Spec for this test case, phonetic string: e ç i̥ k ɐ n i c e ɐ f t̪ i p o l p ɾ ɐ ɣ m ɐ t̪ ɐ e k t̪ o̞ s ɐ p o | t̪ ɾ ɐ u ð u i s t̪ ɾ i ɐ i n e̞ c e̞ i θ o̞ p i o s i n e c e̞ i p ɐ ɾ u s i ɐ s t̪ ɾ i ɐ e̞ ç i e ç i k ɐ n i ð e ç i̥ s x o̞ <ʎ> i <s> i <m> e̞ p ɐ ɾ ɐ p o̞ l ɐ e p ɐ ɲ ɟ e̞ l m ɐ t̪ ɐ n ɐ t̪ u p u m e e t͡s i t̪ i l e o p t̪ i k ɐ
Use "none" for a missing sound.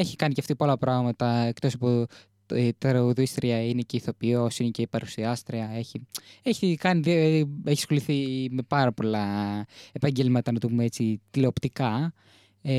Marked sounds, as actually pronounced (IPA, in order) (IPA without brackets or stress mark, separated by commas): l, θ, m